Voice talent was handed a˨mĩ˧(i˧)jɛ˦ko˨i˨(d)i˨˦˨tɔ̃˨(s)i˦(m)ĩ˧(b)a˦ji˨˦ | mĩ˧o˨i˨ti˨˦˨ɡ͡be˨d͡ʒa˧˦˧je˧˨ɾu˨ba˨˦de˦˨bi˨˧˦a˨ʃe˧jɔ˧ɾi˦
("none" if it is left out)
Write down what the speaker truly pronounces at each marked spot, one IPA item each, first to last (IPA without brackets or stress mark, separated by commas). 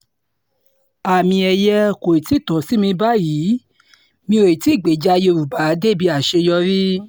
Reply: ɛ˧, t, s, m, b